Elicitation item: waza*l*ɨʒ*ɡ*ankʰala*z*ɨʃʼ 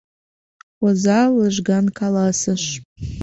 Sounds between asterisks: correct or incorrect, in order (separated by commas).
correct, correct, incorrect